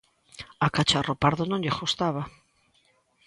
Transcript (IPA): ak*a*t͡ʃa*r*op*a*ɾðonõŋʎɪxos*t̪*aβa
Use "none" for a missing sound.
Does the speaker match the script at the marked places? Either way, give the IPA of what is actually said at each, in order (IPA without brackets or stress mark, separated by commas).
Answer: a, r, a, t̪